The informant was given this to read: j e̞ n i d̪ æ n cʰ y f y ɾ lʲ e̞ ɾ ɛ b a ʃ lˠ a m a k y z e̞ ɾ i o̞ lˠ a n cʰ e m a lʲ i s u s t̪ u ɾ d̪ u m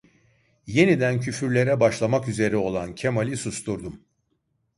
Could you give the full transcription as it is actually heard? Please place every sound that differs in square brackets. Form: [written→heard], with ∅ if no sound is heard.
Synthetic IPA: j e̞ n i d̪ æ n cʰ y f y ɾ lʲ e̞ ɾ ɛ b a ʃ lˠ a m a k y z e̞ ɾ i o̞ lˠ a n cʰ e m a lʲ i s u s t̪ u ɾ d̪ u m